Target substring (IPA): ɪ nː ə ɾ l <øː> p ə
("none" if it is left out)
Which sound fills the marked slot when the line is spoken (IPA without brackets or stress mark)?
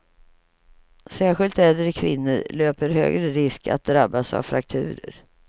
øː